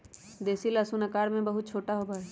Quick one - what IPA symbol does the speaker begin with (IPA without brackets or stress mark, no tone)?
d̪